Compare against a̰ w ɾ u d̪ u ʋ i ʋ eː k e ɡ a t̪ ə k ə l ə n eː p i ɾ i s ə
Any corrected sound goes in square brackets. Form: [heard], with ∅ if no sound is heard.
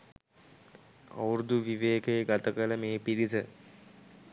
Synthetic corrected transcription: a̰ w ɾ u d̪ u ʋ i ʋ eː k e ɡ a t̪ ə k ə l ə [m] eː p i ɾ i s ə